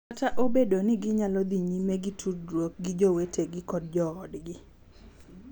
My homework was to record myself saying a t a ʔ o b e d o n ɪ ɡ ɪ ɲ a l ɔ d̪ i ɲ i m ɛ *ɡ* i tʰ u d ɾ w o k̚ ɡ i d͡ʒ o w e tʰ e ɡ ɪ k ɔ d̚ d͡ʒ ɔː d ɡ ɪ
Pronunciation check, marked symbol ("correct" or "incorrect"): correct